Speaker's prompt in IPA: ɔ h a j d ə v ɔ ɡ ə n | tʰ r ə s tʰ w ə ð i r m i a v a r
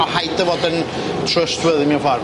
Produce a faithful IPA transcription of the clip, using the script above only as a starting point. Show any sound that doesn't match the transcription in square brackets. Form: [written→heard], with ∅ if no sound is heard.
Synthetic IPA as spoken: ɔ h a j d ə v ɔ [ɡ→d] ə n | tʰ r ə s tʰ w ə ð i [r→∅] m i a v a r